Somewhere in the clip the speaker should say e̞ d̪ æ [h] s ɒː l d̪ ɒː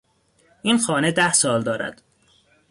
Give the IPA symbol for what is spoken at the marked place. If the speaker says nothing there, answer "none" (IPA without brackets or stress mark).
h